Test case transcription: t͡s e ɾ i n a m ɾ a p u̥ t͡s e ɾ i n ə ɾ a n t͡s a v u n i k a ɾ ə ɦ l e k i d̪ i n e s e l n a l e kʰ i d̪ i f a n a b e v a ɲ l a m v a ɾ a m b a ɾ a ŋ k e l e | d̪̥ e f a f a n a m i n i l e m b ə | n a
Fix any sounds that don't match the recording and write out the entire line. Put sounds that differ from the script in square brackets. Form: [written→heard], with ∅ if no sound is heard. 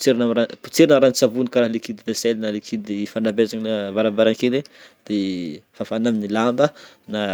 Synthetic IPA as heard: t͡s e ɾ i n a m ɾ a p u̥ t͡s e ɾ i n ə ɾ a n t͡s a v u n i k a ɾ [ə→a] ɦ l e k i d̪ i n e s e l n a l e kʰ i d̪ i f a n a b e [v→z] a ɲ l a [m→∅] v a ɾ a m b a ɾ a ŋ k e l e | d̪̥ e f a f a n a m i n i l [e→a] m b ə | n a